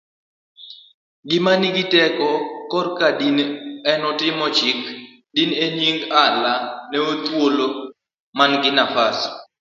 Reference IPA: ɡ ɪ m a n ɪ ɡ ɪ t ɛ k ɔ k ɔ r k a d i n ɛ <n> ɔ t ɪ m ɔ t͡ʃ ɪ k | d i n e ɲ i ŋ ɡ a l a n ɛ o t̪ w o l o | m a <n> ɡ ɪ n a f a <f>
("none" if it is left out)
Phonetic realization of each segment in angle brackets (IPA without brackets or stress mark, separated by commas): n, n, s